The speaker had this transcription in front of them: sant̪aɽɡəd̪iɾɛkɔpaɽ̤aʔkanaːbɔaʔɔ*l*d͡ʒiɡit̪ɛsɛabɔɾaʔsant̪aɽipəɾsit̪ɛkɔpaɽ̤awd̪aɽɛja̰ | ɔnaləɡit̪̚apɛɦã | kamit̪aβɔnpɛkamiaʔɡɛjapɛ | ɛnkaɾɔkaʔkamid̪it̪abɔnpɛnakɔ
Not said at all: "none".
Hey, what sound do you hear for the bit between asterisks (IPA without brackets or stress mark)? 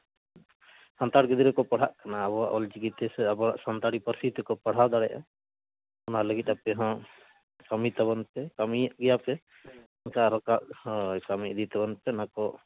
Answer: l